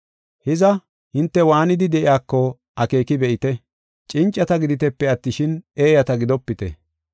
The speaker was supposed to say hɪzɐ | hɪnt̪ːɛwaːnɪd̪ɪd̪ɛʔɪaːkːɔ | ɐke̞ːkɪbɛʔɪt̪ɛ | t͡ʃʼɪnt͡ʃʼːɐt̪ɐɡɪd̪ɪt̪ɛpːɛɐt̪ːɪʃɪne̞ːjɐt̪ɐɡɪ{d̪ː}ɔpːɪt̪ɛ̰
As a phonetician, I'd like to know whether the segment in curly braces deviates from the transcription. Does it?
yes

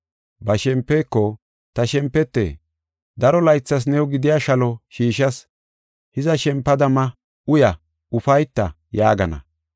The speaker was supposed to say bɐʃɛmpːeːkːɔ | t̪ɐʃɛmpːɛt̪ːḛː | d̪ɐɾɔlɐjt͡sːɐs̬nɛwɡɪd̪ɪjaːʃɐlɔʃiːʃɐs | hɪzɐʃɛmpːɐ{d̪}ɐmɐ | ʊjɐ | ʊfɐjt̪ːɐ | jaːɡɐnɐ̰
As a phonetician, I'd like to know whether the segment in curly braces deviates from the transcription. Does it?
no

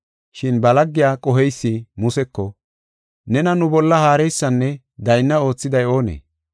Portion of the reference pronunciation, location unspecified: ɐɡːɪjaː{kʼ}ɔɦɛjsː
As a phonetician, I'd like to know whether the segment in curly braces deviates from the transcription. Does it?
no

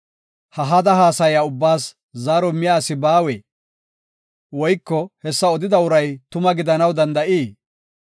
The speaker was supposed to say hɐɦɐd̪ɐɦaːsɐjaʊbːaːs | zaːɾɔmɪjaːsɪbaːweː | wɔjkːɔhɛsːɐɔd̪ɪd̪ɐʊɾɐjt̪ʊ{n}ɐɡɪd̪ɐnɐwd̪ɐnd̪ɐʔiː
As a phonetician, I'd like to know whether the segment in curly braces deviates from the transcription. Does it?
yes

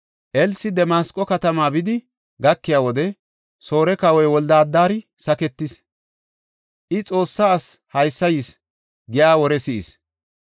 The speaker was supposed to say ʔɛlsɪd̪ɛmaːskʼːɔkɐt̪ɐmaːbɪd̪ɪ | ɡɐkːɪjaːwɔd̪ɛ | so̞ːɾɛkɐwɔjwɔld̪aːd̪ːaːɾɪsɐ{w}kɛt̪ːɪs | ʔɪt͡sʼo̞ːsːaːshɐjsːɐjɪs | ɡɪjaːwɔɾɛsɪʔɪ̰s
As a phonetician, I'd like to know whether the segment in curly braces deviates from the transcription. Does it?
yes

